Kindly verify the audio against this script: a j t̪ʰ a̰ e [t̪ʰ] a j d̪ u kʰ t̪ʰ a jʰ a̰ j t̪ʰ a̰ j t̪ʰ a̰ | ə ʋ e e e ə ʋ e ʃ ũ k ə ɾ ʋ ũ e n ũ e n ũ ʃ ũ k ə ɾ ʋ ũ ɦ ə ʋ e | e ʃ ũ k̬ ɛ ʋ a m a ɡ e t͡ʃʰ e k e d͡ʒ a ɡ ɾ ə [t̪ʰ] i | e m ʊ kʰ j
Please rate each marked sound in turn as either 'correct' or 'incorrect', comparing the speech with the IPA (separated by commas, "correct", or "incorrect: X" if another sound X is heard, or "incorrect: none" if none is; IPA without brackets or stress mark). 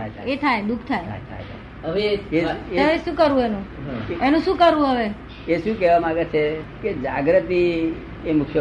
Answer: correct, incorrect: t̪